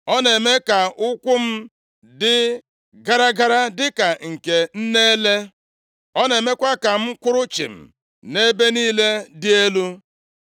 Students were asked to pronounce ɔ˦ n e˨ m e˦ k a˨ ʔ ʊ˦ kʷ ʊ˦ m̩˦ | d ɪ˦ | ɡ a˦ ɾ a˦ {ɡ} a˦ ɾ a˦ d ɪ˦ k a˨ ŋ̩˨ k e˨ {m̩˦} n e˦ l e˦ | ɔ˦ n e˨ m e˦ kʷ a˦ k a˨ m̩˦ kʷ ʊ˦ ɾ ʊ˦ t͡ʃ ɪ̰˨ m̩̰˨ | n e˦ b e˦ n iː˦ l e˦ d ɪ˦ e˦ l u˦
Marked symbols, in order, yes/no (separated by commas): yes, no